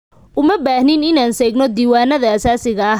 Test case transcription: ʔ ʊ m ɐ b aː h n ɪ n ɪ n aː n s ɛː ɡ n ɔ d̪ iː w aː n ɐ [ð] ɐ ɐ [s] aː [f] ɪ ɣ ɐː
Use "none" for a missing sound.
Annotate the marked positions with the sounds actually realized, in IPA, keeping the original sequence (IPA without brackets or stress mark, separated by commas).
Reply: ð, s, s